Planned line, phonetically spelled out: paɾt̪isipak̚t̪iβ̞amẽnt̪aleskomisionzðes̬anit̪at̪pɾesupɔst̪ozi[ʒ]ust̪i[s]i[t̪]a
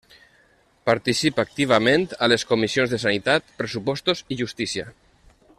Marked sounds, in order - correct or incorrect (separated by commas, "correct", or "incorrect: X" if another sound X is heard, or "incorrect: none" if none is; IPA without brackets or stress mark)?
correct, correct, incorrect: none